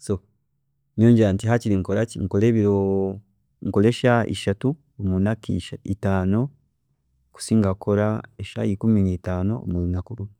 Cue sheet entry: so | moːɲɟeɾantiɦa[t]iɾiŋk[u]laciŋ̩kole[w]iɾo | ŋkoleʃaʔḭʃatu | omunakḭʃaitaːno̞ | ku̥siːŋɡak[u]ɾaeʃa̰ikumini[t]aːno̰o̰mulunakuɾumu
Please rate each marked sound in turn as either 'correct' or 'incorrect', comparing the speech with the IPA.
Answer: incorrect: c, incorrect: o, incorrect: β, incorrect: o, correct

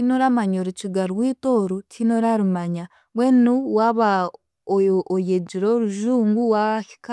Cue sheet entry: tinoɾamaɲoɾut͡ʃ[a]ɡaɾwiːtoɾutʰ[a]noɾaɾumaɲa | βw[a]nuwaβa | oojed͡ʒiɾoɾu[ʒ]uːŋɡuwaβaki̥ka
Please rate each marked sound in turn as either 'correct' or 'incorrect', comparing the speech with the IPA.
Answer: incorrect: i, incorrect: i, incorrect: e, correct

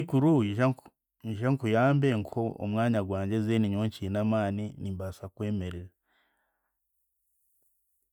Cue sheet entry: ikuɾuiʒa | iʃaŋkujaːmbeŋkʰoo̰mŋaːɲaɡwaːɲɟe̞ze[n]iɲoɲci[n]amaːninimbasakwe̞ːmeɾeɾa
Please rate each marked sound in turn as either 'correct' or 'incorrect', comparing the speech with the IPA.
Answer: correct, correct

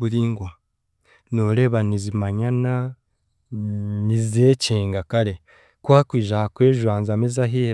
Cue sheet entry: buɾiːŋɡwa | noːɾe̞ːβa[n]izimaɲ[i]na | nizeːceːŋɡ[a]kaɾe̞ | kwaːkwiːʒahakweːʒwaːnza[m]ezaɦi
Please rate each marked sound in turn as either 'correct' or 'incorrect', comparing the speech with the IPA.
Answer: correct, incorrect: a, correct, correct

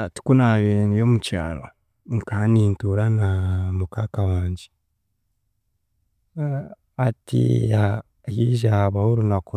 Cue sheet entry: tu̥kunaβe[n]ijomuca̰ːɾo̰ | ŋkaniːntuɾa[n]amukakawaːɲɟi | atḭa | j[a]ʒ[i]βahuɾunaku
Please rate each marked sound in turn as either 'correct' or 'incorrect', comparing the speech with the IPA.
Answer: correct, correct, incorrect: i, incorrect: a

